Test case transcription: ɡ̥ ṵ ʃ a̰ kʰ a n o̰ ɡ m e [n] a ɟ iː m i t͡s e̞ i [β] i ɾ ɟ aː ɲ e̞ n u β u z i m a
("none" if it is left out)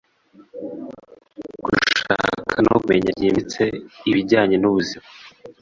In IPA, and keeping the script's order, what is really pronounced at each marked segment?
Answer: ɲ, β

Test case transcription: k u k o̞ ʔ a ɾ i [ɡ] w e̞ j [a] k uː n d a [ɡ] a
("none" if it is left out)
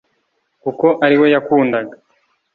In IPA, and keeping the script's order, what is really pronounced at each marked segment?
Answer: none, a, ɡ

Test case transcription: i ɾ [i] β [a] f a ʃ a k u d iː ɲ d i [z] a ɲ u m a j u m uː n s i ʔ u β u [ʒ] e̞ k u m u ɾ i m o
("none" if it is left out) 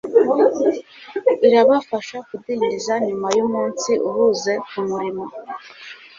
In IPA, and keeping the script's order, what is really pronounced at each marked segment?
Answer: a, a, z, z

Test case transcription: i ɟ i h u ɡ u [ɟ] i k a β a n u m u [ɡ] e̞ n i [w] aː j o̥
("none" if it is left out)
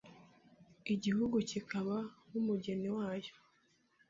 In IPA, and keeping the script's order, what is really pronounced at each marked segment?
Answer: c, ɟ, w

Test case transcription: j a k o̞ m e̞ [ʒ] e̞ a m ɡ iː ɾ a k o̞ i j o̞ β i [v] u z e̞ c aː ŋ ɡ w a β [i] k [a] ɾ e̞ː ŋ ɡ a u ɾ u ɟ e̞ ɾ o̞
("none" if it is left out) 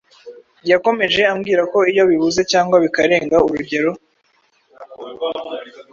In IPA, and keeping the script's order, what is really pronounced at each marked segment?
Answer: ʒ, β, i, a

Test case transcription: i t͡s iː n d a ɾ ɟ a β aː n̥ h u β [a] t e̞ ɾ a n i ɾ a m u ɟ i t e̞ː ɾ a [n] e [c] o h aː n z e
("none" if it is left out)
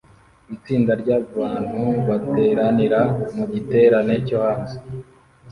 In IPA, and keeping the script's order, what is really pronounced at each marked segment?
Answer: a, n, c

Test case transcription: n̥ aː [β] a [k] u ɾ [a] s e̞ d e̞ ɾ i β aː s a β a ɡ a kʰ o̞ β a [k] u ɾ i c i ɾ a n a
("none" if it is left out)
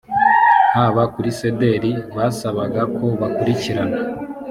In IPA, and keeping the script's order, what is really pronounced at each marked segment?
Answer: β, k, i, k

